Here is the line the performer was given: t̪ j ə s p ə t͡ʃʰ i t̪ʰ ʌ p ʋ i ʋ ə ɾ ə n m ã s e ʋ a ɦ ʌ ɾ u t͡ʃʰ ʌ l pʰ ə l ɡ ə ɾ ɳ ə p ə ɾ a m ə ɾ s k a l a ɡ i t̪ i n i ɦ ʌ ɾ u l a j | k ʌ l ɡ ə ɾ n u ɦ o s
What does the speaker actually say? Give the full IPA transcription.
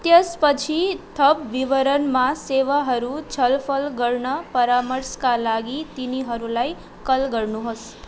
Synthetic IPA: t̪ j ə s p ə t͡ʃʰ i t̪ʰ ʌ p ʋ i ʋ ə ɾ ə n m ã s e ʋ a ɦ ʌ ɾ u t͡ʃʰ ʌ l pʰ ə l ɡ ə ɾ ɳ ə p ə ɾ a m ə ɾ s k a l a ɡ i t̪ i n i ɦ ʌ ɾ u l a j | k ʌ l ɡ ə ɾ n u ɦ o s